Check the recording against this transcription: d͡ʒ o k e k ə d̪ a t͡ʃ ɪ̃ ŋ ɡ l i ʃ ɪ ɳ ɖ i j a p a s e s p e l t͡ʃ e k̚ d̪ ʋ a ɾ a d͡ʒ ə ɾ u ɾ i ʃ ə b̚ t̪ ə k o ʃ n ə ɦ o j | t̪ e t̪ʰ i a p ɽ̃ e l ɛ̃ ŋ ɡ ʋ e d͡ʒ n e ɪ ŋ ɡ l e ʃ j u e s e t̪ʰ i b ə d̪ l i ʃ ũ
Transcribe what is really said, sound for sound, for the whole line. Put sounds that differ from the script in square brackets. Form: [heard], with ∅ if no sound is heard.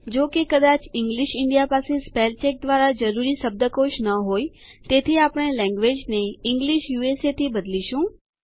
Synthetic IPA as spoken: d͡ʒ o k e k ə d̪ a t͡ʃ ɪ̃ ŋ ɡ l i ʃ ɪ ɳ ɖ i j a p a s e s p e l t͡ʃ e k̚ d̪ ʋ a ɾ a d͡ʒ ə ɾ u ɾ i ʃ ə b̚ [d̪] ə k o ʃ n ə ɦ o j | t̪ e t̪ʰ i a p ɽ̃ e l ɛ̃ ŋ ɡ ʋ e d͡ʒ n e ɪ ŋ ɡ l [i] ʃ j u e s e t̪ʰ i b ə d̪ l i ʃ ũ